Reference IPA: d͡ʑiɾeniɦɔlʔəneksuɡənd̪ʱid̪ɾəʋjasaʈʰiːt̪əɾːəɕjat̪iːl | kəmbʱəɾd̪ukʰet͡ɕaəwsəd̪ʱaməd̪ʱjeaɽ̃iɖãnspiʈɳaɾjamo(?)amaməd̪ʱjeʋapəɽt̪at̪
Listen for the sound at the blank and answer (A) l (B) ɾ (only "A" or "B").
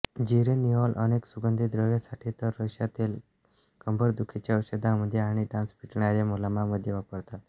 A